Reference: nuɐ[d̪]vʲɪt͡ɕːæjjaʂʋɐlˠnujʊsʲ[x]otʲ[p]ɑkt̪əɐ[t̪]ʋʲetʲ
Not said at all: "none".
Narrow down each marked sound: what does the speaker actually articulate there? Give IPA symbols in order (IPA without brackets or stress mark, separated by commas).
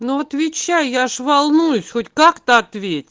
t̪, x, k, t̪